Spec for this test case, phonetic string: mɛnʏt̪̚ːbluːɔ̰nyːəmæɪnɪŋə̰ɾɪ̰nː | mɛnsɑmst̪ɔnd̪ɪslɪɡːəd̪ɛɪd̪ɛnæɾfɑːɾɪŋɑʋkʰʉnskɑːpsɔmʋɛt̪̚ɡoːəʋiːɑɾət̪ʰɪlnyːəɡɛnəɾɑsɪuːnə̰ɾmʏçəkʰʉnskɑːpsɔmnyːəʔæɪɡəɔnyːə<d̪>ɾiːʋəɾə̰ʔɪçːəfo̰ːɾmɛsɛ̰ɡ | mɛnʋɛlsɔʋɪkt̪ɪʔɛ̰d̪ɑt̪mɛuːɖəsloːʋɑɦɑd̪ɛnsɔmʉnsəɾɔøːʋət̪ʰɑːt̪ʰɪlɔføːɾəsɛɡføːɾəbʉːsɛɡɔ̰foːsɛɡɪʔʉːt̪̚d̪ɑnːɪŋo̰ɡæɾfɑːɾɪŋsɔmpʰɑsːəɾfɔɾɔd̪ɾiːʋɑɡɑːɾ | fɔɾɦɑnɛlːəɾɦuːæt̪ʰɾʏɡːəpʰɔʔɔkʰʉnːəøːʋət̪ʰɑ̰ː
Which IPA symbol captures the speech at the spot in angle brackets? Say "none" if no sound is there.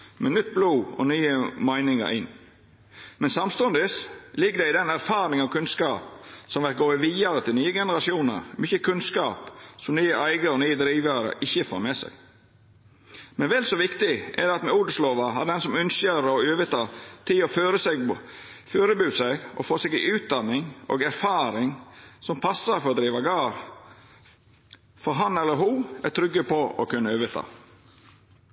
d̪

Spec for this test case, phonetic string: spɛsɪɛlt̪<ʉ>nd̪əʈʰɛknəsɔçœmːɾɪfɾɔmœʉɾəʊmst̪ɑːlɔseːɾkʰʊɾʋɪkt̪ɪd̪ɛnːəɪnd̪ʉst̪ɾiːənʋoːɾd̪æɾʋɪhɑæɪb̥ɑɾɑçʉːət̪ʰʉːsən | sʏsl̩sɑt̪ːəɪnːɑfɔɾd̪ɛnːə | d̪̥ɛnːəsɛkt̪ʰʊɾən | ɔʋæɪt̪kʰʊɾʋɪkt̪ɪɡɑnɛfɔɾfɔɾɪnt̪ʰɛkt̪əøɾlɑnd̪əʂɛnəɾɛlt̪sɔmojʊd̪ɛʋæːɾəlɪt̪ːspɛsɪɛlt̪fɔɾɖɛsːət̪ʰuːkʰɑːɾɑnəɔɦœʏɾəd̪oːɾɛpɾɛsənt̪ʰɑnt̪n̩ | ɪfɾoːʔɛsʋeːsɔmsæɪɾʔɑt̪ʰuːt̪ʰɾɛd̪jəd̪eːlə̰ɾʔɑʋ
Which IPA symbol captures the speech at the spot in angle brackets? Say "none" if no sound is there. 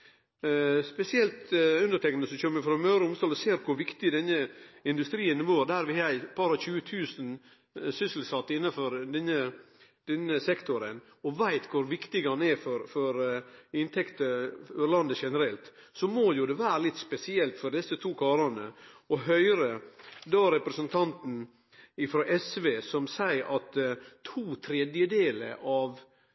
ʉ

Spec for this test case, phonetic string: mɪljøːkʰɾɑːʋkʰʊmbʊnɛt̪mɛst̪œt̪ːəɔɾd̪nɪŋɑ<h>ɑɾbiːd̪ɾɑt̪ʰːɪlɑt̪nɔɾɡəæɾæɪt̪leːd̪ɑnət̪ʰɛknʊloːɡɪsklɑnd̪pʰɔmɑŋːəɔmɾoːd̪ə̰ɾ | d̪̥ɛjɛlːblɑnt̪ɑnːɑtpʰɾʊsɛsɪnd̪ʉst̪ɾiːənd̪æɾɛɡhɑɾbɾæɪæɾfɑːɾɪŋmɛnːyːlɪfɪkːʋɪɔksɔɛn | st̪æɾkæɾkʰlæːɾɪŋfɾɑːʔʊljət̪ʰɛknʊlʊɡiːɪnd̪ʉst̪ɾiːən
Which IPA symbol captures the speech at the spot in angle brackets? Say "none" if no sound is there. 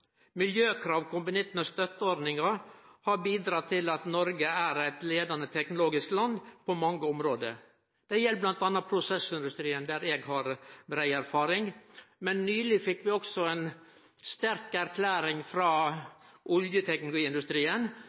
h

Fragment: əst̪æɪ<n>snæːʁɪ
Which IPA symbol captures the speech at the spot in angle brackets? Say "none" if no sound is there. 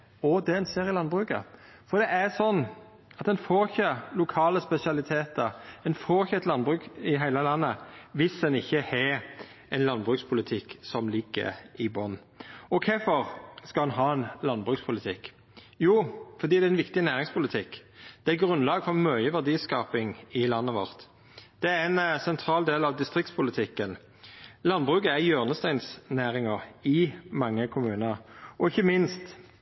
n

